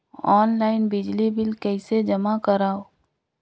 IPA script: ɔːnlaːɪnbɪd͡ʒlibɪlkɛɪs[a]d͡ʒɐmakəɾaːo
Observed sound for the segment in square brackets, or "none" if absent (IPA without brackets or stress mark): e